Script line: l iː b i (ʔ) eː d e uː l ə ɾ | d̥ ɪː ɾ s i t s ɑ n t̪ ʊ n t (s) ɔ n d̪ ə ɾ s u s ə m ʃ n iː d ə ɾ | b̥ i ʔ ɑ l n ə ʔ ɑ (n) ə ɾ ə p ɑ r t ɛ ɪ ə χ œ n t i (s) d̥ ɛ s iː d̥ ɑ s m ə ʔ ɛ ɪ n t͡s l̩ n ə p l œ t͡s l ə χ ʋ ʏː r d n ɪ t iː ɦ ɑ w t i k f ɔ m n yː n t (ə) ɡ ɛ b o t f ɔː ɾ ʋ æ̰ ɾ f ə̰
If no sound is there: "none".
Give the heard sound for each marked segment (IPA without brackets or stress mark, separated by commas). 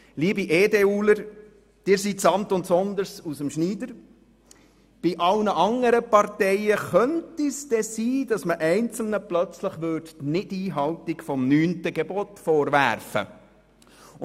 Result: ʔ, s, ŋ, s, ə